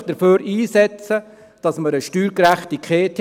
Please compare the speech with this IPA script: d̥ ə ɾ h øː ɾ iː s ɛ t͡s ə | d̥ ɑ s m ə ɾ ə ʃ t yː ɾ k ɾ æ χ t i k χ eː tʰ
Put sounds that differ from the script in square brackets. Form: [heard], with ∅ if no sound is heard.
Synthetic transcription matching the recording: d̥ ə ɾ [f] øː ɾ iː s ɛ t͡s ə | d̥ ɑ s m ə ɾ ə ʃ t yː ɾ k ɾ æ χ t i k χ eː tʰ